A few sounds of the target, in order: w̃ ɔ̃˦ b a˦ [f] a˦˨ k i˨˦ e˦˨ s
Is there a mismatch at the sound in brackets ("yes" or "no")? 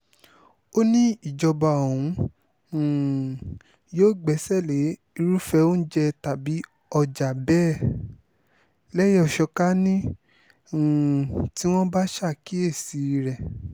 yes